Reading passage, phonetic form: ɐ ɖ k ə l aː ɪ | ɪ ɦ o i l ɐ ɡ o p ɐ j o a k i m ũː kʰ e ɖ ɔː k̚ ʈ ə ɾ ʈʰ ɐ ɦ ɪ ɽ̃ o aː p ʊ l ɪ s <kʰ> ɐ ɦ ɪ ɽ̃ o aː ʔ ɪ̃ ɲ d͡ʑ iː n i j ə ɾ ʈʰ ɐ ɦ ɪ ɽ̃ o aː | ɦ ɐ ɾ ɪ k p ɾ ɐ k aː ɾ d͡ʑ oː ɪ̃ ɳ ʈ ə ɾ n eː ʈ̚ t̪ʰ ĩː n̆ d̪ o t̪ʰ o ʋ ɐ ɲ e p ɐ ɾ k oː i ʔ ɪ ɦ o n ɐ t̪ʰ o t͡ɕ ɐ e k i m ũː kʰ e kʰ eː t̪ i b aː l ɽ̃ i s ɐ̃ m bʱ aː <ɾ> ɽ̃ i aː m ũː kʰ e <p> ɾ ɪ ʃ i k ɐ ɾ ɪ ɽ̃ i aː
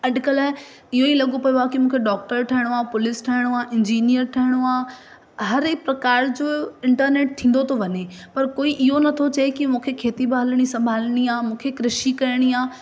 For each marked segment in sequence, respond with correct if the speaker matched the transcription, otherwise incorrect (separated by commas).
incorrect, incorrect, incorrect